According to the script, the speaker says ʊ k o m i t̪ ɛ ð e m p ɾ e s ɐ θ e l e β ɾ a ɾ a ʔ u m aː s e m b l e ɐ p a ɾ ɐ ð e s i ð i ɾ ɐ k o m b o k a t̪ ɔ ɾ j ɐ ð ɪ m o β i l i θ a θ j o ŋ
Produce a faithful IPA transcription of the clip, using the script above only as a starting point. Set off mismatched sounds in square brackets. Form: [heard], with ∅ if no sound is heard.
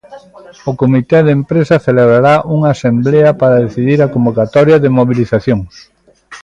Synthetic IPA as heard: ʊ k o m i t̪ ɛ ð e m p ɾ e s ɐ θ e l e β ɾ a ɾ a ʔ u [ŋ] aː s e m b l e ɐ p a ɾ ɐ ð e [θ] i ð i ɾ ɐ k o m b o k a t̪ ɔ ɾ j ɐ ð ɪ m o β i l i θ a θ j o ŋ